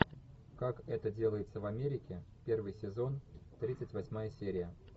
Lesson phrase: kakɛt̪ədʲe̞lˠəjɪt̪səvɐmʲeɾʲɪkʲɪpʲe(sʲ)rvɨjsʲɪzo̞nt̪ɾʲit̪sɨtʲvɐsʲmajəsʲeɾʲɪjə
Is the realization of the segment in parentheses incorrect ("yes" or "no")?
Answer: yes